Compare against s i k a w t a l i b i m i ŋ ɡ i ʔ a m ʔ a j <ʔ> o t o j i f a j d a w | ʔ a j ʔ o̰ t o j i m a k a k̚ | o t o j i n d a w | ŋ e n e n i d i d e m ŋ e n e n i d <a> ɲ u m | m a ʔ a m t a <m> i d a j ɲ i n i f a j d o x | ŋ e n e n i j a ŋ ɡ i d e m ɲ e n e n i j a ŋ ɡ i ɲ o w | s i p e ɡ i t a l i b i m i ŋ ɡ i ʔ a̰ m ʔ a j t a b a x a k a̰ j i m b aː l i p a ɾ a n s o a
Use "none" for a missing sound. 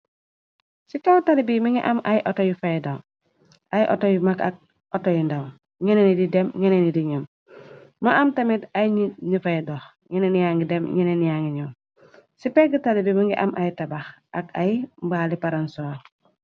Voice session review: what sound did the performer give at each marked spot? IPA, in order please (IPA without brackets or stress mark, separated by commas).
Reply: ʔ, i, m